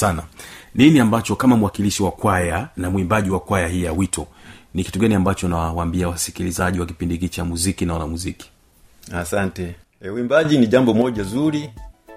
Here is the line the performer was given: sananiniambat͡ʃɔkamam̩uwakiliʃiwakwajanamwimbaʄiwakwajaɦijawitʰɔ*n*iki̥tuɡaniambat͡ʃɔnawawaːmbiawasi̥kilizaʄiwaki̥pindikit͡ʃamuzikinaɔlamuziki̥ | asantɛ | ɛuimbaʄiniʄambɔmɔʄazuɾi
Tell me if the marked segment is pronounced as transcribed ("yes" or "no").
yes